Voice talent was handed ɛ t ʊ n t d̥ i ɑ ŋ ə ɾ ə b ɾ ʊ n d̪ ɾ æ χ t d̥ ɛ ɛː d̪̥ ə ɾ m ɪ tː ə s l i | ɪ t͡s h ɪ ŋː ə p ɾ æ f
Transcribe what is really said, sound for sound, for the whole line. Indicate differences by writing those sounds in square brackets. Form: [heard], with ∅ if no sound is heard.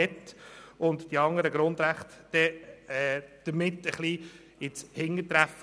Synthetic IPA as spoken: ɛ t ʊ n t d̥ i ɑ ŋ ə ɾ ə [ɡ] ɾ ʊ n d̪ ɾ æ χ t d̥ ɛ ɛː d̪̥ ə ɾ m ɪ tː ə [χ] l i | ɪ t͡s h ɪ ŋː ə [t] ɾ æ f